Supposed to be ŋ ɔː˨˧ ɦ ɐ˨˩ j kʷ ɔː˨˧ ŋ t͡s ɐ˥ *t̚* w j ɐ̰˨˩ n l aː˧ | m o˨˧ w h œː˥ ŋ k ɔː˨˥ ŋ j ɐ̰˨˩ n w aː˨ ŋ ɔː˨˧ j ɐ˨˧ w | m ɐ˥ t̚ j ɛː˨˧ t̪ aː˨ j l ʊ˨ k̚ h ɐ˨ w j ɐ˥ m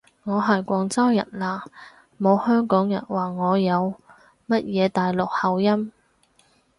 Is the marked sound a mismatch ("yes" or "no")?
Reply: yes